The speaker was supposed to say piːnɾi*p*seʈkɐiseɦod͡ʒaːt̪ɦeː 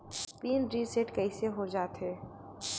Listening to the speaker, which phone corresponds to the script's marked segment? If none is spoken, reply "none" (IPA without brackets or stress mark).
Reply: none